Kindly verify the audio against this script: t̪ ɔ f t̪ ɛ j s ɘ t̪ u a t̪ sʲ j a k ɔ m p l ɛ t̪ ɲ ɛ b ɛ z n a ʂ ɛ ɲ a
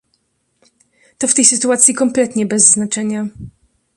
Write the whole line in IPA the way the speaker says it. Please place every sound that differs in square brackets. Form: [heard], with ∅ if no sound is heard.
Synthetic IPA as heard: t̪ ɔ f t̪ ɛ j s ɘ t̪ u a t̪ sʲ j [i] k ɔ m p l ɛ t̪ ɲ ɛ b ɛ [zː] n a [t͡ʂ] ɛ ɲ a